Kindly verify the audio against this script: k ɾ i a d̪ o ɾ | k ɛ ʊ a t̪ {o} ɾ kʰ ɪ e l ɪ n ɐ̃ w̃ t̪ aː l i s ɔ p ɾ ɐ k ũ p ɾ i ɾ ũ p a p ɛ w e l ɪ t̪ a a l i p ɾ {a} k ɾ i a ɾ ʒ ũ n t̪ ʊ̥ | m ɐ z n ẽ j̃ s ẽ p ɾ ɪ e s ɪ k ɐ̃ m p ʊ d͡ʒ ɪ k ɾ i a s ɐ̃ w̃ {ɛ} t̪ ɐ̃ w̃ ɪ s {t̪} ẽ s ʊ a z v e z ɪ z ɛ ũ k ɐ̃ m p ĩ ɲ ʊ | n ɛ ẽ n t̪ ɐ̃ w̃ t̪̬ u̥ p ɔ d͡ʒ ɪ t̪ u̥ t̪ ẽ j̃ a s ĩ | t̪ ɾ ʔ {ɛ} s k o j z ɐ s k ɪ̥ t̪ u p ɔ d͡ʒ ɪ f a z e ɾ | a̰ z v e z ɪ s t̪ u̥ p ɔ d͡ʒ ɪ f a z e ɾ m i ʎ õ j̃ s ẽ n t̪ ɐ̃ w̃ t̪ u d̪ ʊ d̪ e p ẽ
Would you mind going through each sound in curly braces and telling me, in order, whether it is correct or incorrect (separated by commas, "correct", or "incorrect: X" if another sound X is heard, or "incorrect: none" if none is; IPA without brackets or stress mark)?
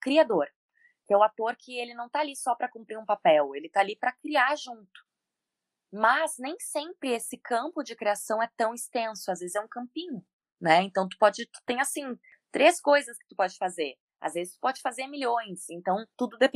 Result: correct, incorrect: ɐ, correct, correct, incorrect: e